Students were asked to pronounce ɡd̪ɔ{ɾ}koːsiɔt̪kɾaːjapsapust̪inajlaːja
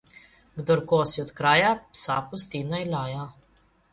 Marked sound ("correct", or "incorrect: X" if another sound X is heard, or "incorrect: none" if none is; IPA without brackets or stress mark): correct